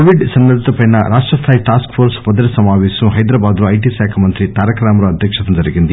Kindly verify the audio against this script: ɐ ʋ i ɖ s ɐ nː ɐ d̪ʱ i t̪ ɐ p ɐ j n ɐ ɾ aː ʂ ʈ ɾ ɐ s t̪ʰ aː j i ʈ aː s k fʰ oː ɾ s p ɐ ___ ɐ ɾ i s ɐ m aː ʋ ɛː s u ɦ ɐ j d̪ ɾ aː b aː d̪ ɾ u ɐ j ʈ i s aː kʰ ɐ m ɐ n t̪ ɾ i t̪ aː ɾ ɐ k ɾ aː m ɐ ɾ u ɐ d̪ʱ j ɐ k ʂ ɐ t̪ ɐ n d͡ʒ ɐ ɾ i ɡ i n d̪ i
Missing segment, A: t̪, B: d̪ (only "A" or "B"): B